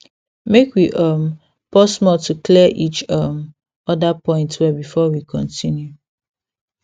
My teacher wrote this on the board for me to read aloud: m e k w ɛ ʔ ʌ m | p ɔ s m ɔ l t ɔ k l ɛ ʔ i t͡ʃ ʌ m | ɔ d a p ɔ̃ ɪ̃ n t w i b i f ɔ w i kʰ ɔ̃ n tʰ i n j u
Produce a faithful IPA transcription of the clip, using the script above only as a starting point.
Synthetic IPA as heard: m e k w i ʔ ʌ m | p ɔ s m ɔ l t u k l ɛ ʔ i t͡ʃ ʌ m | ɔ d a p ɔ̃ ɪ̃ n t w ɛ b i f ɔ w i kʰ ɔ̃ n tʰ i n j u